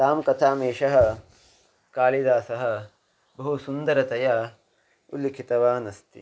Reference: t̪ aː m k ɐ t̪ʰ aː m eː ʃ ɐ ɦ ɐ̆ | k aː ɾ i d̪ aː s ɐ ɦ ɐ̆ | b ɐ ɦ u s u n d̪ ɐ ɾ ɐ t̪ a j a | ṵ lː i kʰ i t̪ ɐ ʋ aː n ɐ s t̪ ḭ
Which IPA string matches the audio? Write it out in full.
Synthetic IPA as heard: t̪ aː m k ɐ t̪ʰ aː m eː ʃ ɐ ɦ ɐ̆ | k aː l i d̪ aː s ɐ ɦ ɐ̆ | b ɐ ɦ u s u n d̪ ɐ ɾ ɐ t̪ ɐ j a | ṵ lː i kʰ i t̪ ɐ ʋ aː n ɐ s t̪ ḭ